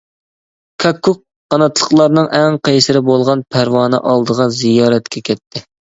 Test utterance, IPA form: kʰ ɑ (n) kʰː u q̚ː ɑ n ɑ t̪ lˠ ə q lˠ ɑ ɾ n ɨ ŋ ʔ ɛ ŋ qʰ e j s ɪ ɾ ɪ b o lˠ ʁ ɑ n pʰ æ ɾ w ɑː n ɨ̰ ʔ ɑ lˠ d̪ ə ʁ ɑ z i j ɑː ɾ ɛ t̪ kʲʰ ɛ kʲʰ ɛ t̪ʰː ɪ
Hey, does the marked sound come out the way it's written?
no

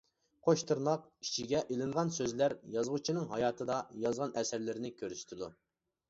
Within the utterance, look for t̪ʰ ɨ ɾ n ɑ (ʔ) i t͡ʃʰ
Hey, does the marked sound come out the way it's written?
no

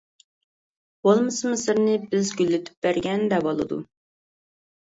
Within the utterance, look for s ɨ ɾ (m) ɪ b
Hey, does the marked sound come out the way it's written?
no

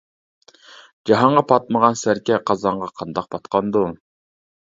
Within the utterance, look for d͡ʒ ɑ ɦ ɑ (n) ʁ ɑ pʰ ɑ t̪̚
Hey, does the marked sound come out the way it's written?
no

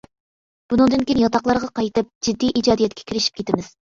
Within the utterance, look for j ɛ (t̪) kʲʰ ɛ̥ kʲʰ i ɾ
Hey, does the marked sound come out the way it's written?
yes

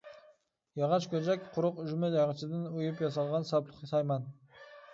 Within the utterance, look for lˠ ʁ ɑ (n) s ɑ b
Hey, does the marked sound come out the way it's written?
yes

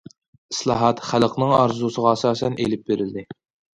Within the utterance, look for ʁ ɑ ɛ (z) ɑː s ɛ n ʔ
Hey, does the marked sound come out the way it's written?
no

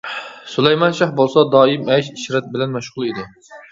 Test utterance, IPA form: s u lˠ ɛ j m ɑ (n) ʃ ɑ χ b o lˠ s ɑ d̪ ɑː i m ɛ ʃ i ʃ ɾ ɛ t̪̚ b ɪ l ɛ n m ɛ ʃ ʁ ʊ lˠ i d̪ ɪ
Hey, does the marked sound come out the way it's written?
yes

